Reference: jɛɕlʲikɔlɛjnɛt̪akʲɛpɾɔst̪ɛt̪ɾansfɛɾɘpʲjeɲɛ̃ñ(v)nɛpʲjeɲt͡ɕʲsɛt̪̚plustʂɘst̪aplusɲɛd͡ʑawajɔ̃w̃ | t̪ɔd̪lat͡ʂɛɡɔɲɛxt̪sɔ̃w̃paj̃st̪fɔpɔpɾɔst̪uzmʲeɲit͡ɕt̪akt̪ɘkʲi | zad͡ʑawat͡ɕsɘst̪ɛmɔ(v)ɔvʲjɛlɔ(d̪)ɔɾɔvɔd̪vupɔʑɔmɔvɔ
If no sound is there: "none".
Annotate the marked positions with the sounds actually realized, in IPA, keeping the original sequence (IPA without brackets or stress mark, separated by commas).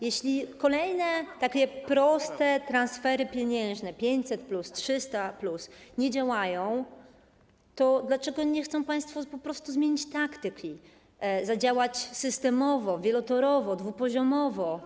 ʐ, v, t̪